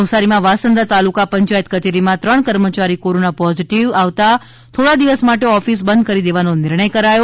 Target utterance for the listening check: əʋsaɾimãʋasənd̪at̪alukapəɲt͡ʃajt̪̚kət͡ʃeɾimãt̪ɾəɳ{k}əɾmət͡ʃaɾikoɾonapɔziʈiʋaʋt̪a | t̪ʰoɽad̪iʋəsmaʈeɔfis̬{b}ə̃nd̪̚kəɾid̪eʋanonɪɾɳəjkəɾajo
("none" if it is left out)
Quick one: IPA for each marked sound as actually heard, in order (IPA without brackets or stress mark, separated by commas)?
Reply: k, b